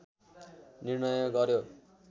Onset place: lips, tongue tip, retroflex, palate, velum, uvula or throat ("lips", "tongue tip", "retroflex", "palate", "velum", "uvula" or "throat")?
tongue tip